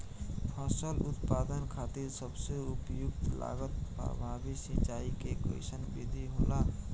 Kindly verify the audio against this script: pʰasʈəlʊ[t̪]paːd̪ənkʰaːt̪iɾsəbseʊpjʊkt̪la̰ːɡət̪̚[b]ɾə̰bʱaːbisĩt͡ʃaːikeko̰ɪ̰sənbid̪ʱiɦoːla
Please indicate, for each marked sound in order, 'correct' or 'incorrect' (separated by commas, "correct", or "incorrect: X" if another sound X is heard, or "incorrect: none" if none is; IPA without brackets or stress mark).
correct, incorrect: p